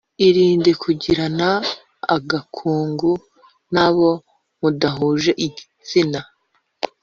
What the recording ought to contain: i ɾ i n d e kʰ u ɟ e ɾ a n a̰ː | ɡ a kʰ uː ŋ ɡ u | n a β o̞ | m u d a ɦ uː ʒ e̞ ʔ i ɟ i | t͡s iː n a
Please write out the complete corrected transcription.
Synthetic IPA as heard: i ɾ iː n d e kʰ u ɟ i ɾ a n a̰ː | ɡ a kʰ uː ŋ ɡ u | n a β o̞ | m u d a ɦ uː ʒ e̞ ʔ i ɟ i | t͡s i n a